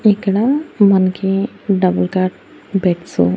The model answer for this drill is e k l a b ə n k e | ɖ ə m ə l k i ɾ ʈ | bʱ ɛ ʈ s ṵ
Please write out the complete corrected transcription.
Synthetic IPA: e k ɽ a m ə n k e | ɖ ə b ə l k a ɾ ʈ | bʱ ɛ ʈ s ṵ